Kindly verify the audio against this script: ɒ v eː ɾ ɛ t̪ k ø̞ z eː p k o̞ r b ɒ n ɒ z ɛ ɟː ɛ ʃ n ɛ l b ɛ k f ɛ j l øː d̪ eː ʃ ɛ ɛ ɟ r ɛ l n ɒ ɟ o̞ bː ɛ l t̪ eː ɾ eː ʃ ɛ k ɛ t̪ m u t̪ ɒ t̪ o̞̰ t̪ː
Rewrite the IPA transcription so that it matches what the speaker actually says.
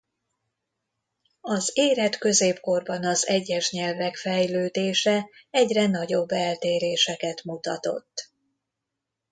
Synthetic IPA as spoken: ɒ z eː ɾ ɛ t̪ k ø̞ z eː p k o̞ r b ɒ n ɒ z ɛ ɟː ɛ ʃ ɲ ɛ l v ɛ k f ɛ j l øː d̪ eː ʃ ɛ ɛ ɟ r ɛ n ɒ ɟ o̞ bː ɛ l t̪ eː ɾ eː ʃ ɛ k ɛ t̪ m u t̪ ɒ t̪ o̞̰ t̪ː